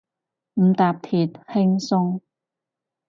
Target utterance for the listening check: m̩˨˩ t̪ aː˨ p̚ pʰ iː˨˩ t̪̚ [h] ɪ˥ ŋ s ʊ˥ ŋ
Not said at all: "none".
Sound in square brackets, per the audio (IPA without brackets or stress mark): h